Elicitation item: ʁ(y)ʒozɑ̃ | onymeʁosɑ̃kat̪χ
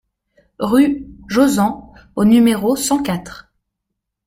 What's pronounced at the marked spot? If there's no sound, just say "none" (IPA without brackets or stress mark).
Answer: y